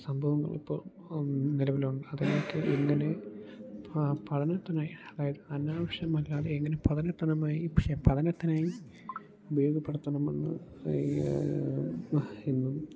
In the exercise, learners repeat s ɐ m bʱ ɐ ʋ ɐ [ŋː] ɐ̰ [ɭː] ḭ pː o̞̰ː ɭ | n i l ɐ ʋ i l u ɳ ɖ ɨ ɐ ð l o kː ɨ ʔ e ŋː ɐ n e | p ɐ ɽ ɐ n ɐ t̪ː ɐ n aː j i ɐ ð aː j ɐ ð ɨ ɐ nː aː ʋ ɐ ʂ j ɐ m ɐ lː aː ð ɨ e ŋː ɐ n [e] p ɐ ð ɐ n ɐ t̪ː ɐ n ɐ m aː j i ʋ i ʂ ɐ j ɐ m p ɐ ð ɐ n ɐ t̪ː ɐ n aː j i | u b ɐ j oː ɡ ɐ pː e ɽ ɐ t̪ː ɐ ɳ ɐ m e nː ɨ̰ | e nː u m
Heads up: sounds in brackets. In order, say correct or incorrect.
correct, incorrect: ɭ, correct

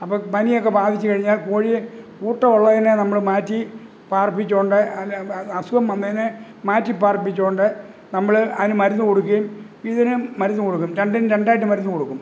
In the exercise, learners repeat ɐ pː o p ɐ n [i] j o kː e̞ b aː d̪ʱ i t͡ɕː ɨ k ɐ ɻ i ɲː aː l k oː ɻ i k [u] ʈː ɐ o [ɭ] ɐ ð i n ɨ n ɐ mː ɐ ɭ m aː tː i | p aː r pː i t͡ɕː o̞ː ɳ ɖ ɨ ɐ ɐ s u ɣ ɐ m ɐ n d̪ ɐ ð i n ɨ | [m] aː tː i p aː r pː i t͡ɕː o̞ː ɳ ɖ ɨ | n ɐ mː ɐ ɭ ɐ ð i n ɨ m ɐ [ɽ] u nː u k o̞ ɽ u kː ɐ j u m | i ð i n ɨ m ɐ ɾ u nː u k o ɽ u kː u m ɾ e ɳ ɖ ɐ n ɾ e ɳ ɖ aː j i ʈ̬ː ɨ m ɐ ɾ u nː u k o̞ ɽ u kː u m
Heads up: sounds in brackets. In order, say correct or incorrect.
correct, incorrect: uː, incorrect: ɭː, correct, incorrect: ɾ

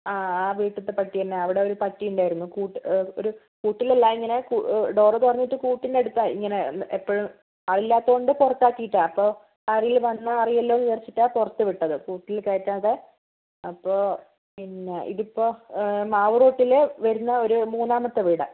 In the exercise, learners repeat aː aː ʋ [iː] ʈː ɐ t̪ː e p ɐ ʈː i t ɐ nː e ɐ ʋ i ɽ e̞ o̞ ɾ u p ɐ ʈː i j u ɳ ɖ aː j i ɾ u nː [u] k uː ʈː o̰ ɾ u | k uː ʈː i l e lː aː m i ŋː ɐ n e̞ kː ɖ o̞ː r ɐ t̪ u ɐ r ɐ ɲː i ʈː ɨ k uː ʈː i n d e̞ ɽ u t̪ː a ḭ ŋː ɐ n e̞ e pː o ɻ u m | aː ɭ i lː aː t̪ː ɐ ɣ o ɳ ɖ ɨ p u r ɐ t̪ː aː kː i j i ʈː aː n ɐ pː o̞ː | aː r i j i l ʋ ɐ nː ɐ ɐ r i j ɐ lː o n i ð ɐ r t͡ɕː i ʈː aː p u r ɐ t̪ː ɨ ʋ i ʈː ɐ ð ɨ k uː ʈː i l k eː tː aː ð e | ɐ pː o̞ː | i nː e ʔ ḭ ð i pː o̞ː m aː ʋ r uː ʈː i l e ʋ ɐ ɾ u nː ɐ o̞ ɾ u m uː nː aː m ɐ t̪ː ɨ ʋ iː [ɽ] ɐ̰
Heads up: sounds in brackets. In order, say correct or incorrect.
correct, correct, correct

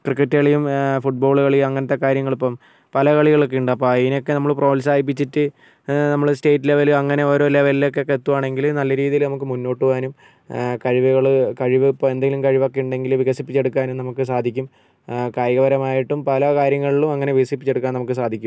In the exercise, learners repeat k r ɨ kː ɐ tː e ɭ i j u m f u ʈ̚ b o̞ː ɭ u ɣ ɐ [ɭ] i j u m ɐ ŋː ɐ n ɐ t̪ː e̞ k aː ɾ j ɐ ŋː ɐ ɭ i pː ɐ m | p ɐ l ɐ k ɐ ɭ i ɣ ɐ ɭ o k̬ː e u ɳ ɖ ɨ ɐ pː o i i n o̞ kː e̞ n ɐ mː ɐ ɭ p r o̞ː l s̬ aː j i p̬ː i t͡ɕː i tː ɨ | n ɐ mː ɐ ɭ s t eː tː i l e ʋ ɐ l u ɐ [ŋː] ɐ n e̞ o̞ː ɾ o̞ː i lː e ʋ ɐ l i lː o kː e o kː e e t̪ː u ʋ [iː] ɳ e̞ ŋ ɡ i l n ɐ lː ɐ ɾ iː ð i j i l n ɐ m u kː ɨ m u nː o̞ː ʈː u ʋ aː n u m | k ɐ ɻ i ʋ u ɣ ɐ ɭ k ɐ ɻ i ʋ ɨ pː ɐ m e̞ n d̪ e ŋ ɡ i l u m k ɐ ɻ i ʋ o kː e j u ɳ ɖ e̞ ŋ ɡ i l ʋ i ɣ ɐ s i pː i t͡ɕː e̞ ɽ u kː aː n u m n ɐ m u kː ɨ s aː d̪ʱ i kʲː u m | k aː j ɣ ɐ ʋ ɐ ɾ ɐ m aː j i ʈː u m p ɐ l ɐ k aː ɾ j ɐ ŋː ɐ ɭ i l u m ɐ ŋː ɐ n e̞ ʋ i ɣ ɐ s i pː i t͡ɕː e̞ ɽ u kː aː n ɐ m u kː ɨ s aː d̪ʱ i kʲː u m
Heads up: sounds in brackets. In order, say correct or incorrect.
correct, correct, incorrect: aː

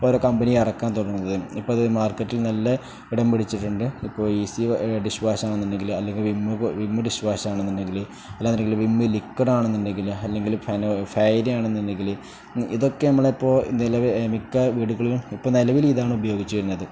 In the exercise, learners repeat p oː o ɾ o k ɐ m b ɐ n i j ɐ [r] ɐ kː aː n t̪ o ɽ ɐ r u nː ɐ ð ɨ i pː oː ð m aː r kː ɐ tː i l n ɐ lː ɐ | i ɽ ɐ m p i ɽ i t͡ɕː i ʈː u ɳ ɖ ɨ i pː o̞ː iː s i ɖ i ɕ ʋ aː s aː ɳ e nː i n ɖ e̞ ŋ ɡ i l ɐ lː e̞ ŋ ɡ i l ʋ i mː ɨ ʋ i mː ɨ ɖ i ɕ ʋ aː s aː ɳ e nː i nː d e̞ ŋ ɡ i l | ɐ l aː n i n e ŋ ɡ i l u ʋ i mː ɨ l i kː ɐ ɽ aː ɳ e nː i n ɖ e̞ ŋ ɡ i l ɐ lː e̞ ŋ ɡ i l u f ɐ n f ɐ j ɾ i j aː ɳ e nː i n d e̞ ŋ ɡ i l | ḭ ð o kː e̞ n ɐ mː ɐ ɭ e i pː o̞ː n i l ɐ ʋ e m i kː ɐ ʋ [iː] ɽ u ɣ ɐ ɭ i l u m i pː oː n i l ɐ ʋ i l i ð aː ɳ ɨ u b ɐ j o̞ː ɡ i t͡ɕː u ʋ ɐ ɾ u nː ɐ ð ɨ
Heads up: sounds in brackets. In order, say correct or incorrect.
correct, correct

